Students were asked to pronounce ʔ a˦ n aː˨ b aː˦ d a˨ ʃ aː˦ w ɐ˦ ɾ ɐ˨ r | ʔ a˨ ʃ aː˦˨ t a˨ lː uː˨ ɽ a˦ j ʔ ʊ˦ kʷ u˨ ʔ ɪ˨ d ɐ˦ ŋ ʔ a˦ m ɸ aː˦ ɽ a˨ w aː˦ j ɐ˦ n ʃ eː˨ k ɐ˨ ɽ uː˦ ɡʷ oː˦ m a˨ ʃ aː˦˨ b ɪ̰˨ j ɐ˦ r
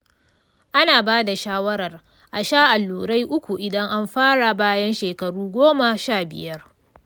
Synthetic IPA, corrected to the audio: ʔ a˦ n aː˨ b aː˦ d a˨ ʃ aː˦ w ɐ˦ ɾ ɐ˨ r | ʔ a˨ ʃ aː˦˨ ʔ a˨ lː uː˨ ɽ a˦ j ʔ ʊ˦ kʷ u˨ ʔ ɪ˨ d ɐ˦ ŋ ʔ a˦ m ɸ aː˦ ɽ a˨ b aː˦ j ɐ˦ n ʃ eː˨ k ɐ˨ ɽ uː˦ ɡʷ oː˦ m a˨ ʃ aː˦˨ b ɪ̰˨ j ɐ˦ r

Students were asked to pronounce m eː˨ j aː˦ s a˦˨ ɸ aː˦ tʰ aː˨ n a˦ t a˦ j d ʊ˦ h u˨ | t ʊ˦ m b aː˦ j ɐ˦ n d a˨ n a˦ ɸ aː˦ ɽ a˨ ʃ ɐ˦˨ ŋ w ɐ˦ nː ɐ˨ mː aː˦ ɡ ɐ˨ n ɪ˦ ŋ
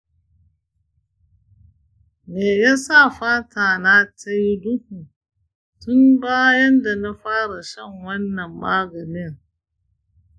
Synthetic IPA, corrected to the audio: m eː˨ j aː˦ s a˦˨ ɸ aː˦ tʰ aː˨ n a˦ t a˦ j d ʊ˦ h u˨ | t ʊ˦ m b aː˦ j ɐ˦ n d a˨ n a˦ ɸ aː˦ ɽ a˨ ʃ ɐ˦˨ ŋ w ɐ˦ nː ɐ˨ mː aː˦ ɡ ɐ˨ n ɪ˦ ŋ

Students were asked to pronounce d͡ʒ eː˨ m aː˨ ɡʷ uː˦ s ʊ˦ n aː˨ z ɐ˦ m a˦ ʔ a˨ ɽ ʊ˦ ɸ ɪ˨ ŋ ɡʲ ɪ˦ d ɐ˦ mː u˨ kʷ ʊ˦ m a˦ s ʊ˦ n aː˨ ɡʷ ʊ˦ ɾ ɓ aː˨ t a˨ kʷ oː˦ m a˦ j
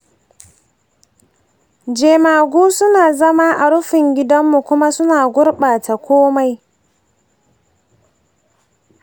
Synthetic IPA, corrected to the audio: d͡ʒ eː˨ m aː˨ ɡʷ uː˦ s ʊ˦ n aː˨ z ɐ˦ m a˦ ʔ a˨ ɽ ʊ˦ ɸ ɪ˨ ŋ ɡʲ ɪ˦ d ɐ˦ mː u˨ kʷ ʊ˦ m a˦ s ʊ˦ n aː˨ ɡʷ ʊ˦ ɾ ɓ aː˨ t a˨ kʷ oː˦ m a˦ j

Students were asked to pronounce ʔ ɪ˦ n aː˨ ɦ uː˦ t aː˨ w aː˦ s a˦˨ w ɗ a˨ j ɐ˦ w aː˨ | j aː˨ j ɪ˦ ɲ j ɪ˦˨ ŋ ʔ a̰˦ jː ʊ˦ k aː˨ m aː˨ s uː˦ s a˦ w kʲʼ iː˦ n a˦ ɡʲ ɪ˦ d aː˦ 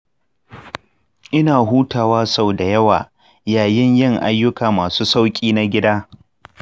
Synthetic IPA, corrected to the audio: ʔ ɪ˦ n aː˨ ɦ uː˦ t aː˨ w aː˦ s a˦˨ w d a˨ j ɐ˦ w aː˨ | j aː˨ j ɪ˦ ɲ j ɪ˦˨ ŋ ʔ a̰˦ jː ʊ˦ k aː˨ m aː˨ s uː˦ s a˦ w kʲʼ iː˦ n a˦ ɡʲ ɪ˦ d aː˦

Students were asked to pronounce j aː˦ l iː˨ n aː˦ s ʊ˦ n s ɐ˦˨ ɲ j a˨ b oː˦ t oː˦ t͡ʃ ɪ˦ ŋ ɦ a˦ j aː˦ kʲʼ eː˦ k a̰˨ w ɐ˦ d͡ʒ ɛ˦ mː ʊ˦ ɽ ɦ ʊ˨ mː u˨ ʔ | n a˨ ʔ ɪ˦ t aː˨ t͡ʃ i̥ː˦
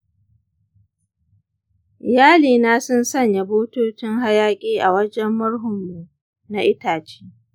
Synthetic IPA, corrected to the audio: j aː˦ l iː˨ n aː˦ s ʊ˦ n s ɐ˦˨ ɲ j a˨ b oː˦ t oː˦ t͡ʃ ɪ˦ ŋ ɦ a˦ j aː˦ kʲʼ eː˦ ʔ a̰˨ w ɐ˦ d͡ʒ ɛ˦ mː ʊ˦ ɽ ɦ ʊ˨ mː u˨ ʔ | n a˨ ʔ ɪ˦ t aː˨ t͡ʃ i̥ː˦

